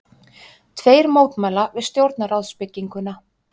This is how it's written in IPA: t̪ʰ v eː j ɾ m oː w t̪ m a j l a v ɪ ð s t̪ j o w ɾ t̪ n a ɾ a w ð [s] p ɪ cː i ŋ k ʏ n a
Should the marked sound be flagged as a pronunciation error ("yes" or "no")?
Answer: no